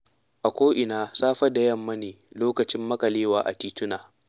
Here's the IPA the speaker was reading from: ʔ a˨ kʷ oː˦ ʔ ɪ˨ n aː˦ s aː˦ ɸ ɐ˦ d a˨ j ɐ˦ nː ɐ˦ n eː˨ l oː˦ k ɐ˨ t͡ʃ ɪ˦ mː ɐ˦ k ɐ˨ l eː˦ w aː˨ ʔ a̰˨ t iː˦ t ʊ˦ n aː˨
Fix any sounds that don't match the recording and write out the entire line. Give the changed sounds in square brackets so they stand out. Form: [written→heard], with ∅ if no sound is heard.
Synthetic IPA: ʔ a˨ kʷ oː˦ ʔ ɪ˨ n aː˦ s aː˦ ɸ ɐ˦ d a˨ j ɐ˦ [nː→mː] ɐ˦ n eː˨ l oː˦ k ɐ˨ t͡ʃ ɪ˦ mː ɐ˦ k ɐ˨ l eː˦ w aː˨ ʔ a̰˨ t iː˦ t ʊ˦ n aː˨